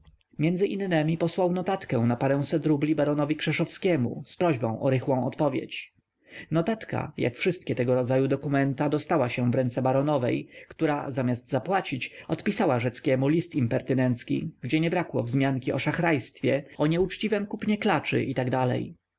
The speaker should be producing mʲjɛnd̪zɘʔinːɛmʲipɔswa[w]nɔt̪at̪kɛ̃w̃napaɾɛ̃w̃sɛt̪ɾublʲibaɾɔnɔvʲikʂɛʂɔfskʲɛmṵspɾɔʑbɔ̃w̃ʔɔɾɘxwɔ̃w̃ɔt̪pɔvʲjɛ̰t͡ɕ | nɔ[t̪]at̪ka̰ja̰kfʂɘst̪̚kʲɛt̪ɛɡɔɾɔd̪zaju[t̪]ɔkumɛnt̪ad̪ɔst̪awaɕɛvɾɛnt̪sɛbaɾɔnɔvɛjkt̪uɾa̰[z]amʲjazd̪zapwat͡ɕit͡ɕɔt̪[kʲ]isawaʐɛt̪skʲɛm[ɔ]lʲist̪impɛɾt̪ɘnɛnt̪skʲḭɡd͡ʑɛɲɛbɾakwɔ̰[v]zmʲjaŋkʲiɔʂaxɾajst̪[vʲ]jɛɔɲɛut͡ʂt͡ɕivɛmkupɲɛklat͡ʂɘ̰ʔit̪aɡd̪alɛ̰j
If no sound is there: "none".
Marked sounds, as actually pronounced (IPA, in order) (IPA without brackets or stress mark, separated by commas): w, t̪, d̪, z, pʲ, u, v, fʲ